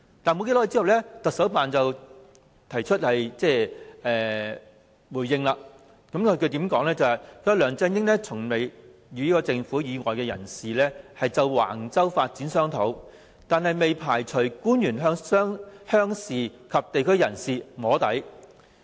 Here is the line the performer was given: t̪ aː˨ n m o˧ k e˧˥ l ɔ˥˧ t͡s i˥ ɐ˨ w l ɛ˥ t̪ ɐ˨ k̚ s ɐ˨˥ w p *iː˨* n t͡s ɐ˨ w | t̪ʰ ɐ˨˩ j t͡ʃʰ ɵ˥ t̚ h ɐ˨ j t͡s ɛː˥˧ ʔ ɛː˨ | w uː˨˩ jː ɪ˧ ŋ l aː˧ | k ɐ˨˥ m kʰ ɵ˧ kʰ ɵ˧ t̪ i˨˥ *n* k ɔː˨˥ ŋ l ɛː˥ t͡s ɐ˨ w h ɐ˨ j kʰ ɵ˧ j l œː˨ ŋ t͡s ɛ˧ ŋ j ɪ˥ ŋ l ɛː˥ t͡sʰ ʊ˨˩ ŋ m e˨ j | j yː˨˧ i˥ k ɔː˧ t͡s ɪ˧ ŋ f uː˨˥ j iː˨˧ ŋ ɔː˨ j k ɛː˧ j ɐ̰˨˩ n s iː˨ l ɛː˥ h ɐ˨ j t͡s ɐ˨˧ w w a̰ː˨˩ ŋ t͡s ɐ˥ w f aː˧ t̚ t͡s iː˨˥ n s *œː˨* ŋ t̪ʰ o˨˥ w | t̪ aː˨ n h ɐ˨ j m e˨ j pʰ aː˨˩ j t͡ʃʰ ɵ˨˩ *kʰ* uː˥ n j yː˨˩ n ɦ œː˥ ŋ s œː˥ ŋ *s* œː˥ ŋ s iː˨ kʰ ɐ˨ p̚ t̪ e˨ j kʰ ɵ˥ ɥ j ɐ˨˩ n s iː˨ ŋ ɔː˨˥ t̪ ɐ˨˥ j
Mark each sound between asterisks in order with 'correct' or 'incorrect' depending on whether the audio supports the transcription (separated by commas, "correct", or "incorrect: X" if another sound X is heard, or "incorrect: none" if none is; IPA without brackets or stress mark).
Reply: incorrect: aː˨, incorrect: m, incorrect: œː˥, incorrect: k, incorrect: h